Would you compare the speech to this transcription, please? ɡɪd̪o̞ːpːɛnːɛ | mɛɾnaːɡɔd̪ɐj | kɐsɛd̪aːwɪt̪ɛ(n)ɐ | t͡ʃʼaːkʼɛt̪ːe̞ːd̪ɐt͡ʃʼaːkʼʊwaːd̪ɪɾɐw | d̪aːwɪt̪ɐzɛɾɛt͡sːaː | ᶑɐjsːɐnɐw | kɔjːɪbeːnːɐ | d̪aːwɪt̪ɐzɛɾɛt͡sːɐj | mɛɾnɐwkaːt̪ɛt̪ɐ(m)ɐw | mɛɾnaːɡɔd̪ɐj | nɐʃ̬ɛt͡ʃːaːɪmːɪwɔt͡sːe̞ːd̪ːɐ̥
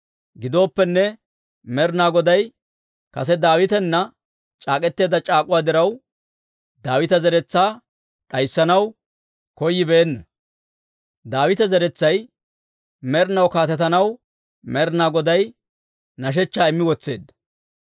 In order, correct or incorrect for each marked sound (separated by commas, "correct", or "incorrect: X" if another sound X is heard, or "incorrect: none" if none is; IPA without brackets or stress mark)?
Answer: incorrect: nː, incorrect: n